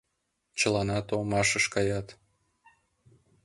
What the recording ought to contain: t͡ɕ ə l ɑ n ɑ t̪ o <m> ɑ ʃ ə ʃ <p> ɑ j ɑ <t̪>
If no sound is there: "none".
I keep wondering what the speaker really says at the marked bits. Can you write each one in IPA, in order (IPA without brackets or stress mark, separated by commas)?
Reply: m, k, t̪